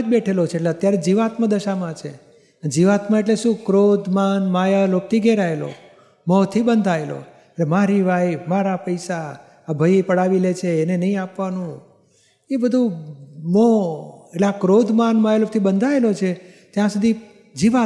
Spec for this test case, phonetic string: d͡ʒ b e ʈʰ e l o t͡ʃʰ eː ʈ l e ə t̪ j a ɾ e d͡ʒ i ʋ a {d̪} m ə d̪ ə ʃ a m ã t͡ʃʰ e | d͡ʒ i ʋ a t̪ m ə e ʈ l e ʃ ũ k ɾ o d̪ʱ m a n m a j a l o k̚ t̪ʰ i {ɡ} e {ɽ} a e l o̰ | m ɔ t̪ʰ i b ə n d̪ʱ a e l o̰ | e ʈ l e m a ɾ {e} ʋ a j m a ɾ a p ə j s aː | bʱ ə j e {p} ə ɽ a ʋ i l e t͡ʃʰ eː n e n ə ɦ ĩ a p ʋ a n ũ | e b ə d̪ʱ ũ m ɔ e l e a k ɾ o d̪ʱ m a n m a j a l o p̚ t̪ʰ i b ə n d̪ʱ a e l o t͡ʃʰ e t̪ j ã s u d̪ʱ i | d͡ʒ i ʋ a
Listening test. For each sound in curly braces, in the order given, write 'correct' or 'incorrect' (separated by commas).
incorrect, correct, incorrect, incorrect, correct